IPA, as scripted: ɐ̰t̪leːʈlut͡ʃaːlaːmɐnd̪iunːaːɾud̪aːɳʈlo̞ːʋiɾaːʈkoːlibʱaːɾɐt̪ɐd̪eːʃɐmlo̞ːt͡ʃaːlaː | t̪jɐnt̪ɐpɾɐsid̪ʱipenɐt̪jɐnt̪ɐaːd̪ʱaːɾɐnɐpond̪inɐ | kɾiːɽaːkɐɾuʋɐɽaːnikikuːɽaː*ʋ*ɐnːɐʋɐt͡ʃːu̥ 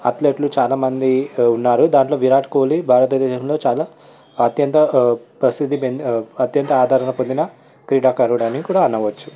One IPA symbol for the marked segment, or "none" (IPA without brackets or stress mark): none